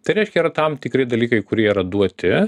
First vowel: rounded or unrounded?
unrounded